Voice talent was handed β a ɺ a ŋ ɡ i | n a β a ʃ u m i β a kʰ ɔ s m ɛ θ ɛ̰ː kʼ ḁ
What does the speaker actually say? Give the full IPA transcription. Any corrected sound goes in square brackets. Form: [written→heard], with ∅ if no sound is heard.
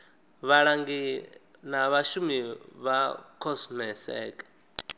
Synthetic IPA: β a ɺ a ŋ ɡ i | n a β a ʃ u m i β a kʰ ɔ s m ɛ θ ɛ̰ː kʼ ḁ